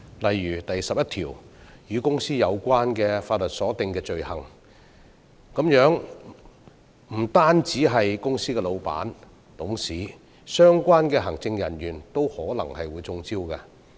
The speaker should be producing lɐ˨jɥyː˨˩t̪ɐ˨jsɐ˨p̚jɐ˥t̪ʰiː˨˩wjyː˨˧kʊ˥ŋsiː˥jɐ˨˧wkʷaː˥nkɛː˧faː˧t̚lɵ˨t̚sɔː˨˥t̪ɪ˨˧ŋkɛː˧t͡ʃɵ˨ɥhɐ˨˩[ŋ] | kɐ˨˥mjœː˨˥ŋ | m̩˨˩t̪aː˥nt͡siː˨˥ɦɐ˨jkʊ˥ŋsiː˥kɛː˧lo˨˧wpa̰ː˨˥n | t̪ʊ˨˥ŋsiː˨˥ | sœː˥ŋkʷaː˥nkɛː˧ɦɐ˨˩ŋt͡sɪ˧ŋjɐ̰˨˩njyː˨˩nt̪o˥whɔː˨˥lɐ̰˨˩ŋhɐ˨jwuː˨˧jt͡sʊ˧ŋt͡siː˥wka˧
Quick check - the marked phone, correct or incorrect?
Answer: correct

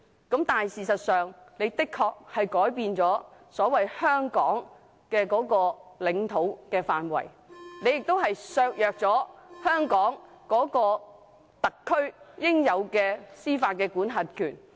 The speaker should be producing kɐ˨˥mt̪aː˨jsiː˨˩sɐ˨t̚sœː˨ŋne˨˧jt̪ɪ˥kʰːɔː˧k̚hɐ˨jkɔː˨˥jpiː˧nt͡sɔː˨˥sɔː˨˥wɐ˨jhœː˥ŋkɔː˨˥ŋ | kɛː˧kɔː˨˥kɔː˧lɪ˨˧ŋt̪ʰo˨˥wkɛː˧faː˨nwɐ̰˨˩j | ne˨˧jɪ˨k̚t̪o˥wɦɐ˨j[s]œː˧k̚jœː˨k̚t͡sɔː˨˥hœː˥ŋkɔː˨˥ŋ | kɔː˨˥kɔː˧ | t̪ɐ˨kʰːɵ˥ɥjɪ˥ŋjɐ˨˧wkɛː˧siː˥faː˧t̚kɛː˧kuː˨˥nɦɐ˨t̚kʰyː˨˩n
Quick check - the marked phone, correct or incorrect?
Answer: correct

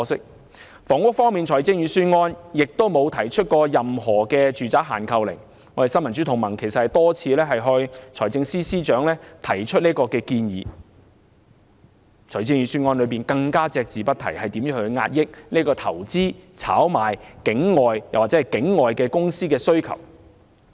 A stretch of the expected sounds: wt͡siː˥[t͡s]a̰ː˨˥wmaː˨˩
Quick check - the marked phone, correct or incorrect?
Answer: incorrect: t͡sʰ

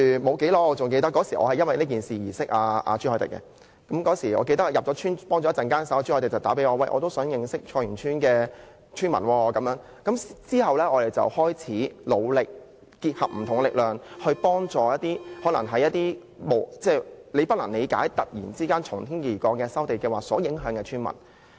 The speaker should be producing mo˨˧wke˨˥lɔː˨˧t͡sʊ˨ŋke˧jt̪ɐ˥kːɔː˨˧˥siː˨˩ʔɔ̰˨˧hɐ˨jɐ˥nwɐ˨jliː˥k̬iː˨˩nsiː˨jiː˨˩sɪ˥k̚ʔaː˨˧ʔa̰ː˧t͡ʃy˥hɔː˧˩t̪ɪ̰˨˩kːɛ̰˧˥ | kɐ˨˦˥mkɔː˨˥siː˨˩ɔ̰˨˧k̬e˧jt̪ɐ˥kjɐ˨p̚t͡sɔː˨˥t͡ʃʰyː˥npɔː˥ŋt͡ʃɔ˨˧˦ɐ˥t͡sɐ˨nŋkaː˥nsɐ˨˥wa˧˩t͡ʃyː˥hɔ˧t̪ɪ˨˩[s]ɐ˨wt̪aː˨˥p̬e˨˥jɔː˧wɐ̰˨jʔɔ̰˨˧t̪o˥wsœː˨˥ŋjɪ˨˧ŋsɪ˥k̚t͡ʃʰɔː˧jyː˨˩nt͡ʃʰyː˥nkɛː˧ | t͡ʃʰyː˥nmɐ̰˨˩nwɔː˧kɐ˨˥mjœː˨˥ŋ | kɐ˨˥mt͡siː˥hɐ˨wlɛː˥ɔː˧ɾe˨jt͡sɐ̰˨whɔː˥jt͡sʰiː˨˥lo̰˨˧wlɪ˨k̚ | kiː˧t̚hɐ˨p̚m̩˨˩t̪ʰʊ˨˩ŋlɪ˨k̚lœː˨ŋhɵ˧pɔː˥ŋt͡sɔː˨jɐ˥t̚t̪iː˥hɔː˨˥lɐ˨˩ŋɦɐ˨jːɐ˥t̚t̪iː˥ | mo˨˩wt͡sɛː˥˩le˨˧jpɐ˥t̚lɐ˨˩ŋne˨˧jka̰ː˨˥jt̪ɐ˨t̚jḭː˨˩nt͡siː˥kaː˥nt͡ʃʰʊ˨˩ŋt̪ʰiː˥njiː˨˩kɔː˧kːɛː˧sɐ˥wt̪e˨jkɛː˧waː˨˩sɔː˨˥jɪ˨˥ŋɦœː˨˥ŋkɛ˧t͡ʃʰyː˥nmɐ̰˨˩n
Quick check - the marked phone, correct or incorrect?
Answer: incorrect: t͡s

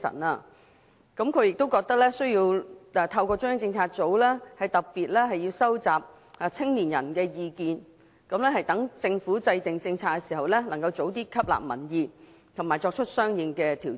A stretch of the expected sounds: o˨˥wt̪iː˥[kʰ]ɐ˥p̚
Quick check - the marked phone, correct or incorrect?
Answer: correct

